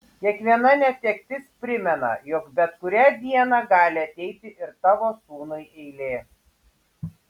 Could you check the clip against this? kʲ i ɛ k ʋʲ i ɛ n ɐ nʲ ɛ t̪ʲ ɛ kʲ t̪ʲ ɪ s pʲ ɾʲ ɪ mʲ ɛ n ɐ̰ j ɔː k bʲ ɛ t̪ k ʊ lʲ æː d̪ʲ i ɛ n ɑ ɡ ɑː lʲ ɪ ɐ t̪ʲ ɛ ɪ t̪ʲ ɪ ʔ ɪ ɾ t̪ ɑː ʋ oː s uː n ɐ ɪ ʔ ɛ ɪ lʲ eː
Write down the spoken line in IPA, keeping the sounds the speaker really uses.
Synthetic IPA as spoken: kʲ i ɛ k ʋʲ i ɛ n ɐ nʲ ɛ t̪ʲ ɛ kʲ t̪ʲ ɪ s pʲ ɾʲ ɪ mʲ ɛ n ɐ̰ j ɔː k bʲ ɛ t̪ k ʊ ɾʲ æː d̪ʲ i ɛ n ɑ ɡ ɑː lʲ ɪ ɐ t̪ʲ ɛ ɪ t̪ʲ ɪ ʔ ɪ ɾ t̪ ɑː ʋ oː s uː n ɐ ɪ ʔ ɛ ɪ lʲ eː